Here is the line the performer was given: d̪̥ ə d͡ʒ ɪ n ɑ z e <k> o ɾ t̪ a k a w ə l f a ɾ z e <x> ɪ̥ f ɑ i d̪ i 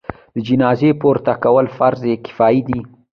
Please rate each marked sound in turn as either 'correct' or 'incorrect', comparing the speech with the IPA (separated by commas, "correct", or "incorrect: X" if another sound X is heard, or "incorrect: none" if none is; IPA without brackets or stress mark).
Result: incorrect: p, incorrect: k